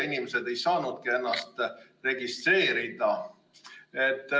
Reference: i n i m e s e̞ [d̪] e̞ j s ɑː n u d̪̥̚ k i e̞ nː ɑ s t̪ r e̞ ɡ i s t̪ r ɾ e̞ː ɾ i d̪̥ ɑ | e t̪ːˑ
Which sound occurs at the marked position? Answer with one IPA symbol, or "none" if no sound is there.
d̪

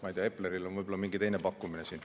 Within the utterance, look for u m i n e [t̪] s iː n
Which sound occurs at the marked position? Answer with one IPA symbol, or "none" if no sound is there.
none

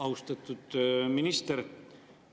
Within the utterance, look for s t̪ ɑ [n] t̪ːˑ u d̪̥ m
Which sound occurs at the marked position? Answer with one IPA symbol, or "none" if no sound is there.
none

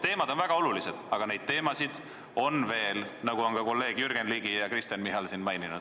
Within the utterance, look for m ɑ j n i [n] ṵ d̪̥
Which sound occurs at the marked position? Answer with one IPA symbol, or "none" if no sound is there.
n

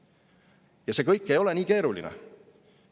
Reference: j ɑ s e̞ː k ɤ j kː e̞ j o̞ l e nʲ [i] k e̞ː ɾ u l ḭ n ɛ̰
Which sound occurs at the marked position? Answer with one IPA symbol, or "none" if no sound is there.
iː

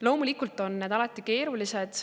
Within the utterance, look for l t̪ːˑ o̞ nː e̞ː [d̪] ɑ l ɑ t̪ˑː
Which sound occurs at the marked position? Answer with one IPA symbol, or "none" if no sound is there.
d̪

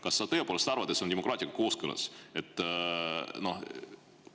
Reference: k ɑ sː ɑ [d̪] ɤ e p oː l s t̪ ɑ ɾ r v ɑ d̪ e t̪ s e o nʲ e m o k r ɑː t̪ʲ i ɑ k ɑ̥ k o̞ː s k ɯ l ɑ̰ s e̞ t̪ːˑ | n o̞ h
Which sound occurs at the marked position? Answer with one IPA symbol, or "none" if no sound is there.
t̪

